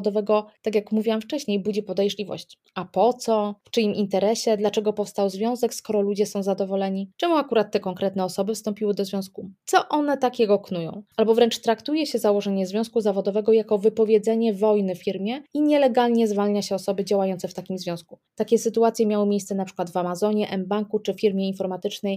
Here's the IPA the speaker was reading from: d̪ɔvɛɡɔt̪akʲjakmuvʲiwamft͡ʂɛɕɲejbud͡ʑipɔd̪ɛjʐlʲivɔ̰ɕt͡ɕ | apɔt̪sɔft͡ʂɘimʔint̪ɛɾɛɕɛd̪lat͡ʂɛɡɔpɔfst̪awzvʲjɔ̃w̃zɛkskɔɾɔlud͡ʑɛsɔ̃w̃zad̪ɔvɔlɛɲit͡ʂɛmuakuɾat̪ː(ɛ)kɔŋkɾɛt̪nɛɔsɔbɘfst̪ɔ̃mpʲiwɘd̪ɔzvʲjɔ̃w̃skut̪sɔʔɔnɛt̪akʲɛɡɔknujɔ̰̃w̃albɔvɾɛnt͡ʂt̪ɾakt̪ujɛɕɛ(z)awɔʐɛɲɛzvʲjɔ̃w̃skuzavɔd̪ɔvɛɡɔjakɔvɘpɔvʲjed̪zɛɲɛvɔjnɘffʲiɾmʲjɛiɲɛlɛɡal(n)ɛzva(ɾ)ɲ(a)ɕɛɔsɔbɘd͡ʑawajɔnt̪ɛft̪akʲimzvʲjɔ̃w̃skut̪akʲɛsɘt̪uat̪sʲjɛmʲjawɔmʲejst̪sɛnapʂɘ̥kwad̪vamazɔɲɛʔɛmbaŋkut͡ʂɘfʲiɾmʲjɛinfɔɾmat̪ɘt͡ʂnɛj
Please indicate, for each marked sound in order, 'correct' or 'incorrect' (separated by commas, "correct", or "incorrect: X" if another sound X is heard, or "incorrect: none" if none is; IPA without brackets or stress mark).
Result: correct, correct, incorrect: ɲ, incorrect: l, correct